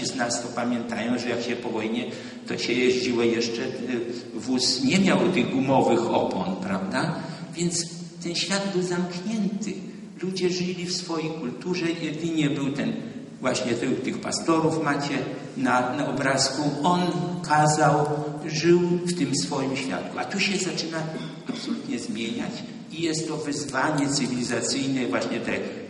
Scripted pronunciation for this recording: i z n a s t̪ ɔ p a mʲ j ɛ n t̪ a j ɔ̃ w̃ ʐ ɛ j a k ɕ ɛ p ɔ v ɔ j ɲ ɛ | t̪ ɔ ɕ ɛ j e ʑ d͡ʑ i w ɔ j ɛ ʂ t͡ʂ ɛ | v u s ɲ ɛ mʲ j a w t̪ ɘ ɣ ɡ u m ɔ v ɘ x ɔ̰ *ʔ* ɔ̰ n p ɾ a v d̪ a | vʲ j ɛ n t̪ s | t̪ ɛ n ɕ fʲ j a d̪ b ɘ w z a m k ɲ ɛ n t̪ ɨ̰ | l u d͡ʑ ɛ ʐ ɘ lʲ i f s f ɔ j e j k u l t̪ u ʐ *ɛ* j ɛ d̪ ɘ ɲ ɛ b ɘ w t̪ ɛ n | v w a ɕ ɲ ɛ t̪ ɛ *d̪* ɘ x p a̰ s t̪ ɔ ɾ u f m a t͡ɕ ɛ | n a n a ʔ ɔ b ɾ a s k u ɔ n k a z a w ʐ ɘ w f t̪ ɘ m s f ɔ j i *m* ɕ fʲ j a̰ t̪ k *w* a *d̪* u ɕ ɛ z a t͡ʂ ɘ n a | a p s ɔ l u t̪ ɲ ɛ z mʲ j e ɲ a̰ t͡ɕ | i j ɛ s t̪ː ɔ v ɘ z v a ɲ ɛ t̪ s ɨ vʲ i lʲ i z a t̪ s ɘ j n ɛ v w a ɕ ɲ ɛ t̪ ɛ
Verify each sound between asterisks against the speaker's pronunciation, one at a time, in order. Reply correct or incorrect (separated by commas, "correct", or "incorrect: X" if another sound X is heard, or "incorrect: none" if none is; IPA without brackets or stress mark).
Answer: incorrect: p, correct, incorrect: t̪, correct, incorrect: u, incorrect: t̪